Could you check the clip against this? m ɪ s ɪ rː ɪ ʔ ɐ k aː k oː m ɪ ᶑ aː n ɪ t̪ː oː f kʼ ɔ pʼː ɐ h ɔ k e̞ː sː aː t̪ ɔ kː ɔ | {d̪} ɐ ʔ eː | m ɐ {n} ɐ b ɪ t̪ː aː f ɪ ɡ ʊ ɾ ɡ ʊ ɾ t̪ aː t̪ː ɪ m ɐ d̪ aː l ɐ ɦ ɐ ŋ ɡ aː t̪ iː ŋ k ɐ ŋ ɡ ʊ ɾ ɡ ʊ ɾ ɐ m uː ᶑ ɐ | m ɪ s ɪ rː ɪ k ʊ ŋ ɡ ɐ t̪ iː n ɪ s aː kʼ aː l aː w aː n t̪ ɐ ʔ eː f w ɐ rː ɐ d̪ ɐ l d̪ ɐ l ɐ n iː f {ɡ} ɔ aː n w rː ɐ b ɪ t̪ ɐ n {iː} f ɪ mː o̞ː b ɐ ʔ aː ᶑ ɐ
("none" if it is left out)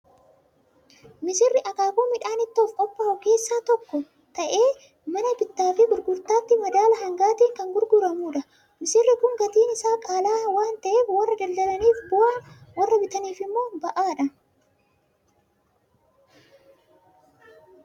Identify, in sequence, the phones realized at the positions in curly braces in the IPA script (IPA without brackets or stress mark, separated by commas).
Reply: t̪, n, b, iː